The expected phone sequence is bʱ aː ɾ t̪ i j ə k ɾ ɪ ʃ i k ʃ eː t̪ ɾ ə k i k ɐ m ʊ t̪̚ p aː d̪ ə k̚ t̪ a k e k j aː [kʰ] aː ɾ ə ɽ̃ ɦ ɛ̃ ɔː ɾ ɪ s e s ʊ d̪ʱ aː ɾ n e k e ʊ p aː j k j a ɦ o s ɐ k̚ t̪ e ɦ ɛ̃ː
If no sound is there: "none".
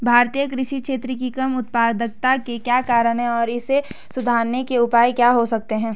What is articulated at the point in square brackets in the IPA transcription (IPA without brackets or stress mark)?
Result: k